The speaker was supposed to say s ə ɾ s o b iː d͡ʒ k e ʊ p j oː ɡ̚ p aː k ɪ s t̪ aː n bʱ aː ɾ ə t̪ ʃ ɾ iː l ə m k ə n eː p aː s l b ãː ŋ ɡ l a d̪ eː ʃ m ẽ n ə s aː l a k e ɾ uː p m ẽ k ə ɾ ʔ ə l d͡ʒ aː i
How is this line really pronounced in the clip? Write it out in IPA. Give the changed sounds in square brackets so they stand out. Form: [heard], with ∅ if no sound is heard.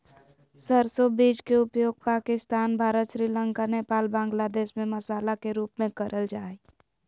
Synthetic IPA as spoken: s ə ɾ s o b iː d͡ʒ k e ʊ p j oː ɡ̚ p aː k ɪ s t̪ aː n bʱ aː ɾ ə t̪ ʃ ɾ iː l ə [ŋ] k [a] n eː p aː [∅] l b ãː ŋ ɡ l a d̪ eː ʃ m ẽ [m] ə s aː l a k e ɾ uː p m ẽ k ə ɾ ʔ ə l d͡ʒ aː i